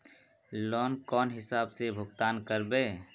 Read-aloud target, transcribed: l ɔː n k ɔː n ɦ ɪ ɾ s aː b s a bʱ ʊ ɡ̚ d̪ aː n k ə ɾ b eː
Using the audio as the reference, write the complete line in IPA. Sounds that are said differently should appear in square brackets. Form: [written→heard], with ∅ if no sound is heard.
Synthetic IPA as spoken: l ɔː n k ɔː n ɦ ɪ [ɾ→∅] s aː b s [a→e] bʱ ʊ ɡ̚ [d̪→t̪] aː n k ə ɾ b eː